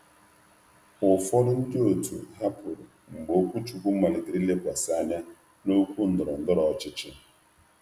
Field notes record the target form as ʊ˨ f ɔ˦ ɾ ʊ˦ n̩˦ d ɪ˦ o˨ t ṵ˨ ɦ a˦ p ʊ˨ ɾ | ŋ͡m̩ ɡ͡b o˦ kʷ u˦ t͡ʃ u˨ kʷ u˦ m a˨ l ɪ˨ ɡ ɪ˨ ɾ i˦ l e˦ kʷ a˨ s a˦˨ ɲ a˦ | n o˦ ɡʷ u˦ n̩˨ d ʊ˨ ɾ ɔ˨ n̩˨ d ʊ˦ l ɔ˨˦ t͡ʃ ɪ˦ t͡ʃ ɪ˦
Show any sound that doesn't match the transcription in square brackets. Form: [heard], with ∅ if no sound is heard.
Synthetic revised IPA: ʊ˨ f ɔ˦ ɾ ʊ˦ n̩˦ d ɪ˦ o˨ t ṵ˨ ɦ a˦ p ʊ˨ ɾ | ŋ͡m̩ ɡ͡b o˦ kʷ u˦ t͡ʃ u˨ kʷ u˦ m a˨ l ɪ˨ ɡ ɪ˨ ɾ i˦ l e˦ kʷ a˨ s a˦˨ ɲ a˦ | n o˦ [kʷ] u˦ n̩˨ d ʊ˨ ɾ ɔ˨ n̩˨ d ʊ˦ [ɾ] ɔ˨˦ t͡ʃ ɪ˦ t͡ʃ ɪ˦

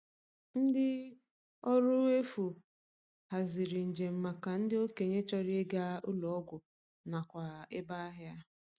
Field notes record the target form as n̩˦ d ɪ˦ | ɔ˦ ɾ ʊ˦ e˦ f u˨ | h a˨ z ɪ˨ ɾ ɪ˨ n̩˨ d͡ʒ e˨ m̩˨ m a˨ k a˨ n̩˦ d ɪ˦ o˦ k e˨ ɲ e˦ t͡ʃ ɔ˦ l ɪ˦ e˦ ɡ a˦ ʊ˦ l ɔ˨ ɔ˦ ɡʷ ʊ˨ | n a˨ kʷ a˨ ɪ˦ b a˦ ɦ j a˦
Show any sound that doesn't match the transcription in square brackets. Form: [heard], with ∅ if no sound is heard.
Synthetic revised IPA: n̩˦ d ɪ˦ | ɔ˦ ɾ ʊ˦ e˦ f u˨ | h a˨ z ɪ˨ ɾ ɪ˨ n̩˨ d͡ʒ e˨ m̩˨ m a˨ k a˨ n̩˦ d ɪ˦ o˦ k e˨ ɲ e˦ t͡ʃ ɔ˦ [ɾ] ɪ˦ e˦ ɡ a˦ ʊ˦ l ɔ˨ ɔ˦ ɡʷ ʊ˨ | n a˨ kʷ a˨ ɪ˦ b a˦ ɦ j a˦

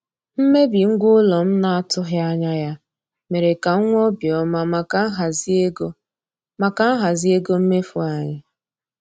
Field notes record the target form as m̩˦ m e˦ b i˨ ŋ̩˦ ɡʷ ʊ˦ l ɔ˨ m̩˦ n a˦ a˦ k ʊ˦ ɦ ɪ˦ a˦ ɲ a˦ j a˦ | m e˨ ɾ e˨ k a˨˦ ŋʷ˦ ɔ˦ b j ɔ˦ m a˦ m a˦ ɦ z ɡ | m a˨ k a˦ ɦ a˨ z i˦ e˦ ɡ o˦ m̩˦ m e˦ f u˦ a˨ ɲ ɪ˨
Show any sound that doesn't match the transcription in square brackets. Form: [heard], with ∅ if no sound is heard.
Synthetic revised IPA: m̩˦ m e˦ b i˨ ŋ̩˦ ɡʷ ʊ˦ l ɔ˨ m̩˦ n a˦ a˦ [t] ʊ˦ ɦ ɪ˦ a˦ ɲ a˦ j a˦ | m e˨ ɾ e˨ k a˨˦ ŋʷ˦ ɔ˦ b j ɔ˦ m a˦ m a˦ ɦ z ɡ | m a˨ k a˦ ɦ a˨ z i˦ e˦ ɡ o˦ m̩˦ m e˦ f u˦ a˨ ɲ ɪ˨

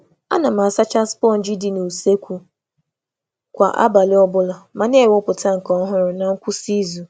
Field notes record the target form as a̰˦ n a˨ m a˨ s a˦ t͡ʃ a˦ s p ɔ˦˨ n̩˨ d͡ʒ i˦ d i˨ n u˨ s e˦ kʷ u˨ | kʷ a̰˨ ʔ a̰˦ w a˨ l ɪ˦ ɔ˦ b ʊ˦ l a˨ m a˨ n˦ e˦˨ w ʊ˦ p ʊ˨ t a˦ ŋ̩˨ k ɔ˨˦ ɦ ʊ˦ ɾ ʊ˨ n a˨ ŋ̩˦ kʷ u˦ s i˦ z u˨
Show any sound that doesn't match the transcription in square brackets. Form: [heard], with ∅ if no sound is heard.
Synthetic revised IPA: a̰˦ n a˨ m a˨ s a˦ t͡ʃ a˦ s p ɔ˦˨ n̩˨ d͡ʒ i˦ d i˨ n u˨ s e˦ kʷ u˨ | kʷ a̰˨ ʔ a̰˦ [b] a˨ l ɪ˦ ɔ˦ b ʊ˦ l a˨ m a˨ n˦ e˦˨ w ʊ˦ p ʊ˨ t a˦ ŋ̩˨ k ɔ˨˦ ɦ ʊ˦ ɾ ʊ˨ n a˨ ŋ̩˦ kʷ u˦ s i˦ z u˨

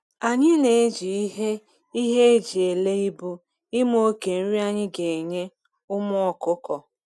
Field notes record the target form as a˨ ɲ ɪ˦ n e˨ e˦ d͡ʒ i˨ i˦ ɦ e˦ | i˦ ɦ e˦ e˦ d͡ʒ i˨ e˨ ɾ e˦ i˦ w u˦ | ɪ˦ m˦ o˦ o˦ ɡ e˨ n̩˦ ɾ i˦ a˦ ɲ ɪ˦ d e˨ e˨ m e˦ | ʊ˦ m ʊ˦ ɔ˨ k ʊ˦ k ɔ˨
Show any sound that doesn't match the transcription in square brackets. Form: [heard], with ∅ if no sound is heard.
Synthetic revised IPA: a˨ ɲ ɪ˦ n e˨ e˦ d͡ʒ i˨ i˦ ɦ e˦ | i˦ ɦ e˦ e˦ d͡ʒ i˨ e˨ [l] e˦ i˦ [b] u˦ | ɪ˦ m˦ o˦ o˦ [k] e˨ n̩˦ ɾ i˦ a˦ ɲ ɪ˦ [ɡ] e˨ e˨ [ɲ] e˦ | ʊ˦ m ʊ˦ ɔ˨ k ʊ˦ k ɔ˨

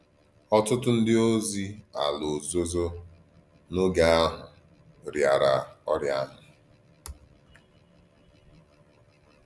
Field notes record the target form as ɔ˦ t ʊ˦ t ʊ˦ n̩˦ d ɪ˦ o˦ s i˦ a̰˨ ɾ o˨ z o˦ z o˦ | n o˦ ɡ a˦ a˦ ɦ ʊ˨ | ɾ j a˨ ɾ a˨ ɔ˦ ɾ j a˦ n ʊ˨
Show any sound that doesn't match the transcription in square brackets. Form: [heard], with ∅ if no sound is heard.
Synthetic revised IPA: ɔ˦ t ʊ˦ t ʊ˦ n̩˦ d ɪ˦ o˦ [z] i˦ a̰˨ [l] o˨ z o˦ z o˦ | n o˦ ɡ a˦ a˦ ɦ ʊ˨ | ɾ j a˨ ɾ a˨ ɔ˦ ɾ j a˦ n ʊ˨

